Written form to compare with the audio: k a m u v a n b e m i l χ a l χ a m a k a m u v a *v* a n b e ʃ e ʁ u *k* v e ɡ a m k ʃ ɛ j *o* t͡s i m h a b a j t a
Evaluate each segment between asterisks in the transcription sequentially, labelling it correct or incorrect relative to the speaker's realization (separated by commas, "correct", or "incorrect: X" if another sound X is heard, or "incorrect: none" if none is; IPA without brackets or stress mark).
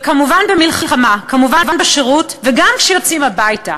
correct, incorrect: t, correct